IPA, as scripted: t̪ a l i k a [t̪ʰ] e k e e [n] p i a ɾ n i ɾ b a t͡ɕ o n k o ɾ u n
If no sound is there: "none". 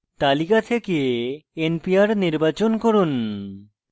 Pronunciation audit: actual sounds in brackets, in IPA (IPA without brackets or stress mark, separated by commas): t̪ʰ, n